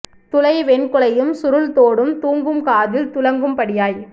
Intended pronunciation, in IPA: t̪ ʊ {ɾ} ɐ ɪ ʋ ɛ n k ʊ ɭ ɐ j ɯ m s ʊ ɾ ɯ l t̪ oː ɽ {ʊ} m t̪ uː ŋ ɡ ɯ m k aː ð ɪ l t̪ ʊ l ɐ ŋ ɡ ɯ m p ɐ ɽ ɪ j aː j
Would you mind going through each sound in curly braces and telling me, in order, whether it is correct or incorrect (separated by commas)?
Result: incorrect, incorrect